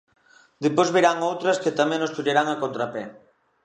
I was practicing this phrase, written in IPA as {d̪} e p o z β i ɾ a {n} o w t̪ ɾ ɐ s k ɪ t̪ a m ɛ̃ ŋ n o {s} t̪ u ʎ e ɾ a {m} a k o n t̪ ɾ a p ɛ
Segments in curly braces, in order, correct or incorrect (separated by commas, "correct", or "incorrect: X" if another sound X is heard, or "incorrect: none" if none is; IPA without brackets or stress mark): correct, incorrect: ŋ, correct, incorrect: ŋ